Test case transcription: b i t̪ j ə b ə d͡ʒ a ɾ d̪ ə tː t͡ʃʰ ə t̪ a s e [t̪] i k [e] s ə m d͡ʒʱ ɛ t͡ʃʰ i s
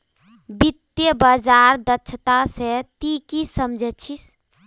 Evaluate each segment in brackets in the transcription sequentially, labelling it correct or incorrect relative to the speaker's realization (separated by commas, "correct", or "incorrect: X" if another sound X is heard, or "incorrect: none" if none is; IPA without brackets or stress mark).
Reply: correct, incorrect: i